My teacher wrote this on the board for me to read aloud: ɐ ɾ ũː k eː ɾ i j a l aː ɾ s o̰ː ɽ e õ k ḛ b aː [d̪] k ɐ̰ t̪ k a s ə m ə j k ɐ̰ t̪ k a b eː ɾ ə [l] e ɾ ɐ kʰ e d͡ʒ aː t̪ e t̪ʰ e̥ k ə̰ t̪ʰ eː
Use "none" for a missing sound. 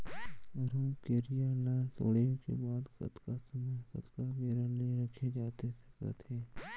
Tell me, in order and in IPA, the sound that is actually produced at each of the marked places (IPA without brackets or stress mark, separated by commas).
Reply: d̪, l